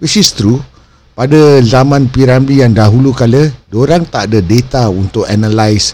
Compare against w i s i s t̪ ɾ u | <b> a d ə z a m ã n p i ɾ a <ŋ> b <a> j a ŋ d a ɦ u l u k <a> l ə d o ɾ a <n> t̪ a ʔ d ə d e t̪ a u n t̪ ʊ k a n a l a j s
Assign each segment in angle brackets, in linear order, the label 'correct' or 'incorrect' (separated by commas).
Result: incorrect, incorrect, incorrect, correct, incorrect